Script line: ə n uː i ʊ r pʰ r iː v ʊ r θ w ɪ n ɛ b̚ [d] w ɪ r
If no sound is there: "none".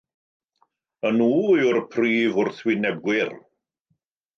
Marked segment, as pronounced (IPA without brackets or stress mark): ɡ